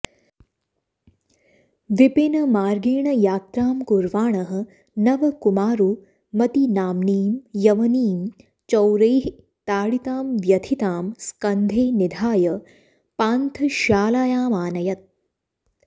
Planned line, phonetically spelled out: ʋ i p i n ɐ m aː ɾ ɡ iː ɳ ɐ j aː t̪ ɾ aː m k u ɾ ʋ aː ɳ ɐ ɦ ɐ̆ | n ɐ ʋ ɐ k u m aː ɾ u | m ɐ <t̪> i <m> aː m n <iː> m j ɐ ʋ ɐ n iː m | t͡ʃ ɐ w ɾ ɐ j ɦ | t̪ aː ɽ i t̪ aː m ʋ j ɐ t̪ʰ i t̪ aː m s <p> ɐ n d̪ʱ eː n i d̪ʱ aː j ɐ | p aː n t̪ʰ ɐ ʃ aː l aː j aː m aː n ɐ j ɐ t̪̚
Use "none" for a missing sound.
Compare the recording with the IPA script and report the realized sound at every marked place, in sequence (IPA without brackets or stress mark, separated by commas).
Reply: t̪, n, iː, k